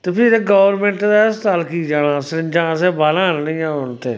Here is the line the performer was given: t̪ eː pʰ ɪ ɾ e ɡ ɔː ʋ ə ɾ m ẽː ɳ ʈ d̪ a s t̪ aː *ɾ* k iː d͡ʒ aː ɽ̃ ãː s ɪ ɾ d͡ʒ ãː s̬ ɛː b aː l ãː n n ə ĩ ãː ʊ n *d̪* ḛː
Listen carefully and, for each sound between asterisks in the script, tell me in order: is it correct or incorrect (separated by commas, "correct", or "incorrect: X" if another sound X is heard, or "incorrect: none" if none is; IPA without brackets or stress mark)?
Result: incorrect: l, incorrect: t̪